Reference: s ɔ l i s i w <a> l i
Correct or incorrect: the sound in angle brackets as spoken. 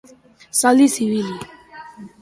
incorrect: i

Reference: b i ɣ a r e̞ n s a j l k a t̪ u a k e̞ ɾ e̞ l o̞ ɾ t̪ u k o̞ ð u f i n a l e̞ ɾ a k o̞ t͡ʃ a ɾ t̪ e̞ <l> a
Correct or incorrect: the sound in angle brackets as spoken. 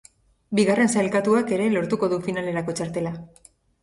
correct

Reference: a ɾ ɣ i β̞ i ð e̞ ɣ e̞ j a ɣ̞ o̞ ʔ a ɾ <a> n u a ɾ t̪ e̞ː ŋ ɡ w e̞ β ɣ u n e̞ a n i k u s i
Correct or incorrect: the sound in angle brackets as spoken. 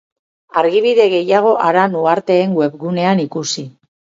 correct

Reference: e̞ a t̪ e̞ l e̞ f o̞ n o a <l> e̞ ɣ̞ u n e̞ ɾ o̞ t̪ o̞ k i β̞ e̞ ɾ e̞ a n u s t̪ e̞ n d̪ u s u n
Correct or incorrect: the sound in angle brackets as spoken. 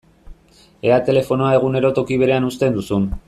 incorrect: none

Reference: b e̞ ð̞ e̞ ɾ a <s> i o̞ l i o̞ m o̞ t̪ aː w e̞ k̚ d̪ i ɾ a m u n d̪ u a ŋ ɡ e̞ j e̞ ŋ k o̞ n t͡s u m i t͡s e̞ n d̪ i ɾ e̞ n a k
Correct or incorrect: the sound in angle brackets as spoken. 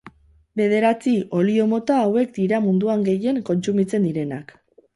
incorrect: t͡s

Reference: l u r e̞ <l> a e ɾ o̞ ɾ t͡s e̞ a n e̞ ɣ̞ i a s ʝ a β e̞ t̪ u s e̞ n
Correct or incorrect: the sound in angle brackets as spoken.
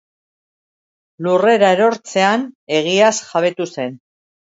incorrect: ɾ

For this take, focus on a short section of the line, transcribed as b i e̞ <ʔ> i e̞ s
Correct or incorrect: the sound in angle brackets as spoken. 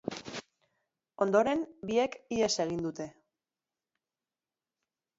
incorrect: k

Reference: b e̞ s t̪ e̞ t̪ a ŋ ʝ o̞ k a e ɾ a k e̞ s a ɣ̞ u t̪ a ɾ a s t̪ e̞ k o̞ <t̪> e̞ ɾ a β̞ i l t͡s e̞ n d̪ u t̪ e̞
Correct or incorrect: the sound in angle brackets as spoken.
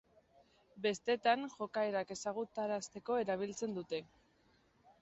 incorrect: none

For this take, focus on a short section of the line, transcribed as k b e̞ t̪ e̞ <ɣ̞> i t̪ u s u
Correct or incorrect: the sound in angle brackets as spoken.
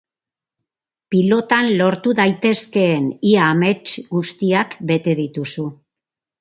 incorrect: ð̞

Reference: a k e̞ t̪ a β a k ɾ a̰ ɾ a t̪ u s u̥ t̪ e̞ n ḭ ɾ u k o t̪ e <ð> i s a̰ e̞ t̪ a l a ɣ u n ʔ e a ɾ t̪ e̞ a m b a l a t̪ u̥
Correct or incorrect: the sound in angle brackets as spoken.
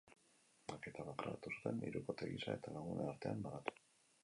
incorrect: ɣ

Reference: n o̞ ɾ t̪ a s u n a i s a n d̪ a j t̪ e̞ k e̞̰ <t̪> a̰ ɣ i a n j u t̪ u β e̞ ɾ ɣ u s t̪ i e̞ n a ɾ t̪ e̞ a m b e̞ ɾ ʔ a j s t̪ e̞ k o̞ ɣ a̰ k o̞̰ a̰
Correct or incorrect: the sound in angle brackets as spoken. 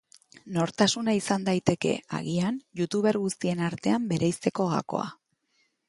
incorrect: none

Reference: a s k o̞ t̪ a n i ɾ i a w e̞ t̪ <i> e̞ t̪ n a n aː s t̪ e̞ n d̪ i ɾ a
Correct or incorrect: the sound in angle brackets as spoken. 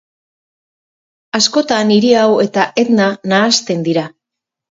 incorrect: a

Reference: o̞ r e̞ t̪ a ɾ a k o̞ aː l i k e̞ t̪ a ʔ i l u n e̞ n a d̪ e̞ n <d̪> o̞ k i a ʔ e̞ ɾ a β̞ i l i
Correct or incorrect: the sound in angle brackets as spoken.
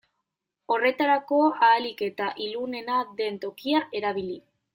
incorrect: t̪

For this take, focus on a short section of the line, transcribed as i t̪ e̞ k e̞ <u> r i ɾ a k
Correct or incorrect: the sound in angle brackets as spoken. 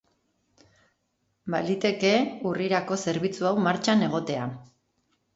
correct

